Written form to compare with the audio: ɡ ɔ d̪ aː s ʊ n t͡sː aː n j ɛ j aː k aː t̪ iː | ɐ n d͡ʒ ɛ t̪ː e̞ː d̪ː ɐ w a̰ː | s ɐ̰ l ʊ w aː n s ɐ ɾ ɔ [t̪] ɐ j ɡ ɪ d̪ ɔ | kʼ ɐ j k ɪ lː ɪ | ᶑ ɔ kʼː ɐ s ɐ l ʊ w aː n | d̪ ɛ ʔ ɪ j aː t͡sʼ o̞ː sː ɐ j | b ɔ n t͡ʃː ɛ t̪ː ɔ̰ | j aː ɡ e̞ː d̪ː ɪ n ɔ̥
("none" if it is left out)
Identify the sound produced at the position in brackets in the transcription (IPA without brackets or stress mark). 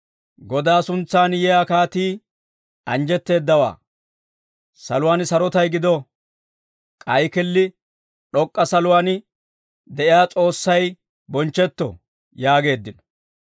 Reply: t̪